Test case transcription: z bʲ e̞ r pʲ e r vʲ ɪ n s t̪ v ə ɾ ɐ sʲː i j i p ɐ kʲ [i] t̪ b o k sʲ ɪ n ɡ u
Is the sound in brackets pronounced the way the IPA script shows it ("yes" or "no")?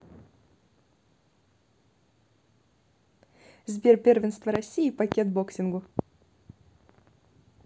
no